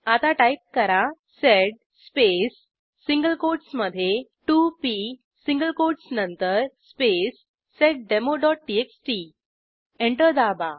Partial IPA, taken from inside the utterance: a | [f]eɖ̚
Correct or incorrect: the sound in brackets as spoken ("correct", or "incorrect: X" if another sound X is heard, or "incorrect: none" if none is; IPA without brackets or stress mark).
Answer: incorrect: s